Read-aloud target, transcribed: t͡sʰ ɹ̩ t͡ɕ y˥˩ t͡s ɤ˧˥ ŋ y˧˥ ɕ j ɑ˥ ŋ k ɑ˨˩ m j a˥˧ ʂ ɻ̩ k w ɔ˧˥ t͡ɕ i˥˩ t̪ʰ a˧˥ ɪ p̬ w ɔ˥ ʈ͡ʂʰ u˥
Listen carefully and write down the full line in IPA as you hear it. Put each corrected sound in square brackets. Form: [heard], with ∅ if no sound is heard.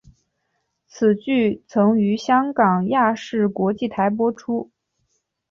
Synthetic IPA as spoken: t͡sʰ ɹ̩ t͡ɕ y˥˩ [t͡sʰ] ɤ˧˥ ŋ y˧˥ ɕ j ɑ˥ ŋ k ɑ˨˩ [ŋ] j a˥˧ ʂ ɻ̩ k w ɔ˧˥ t͡ɕ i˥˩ t̪ʰ a˧˥ ɪ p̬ w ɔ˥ ʈ͡ʂʰ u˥